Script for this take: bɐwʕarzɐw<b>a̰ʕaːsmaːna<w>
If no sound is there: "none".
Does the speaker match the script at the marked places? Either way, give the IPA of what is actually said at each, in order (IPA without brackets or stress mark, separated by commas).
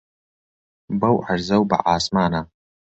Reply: b, none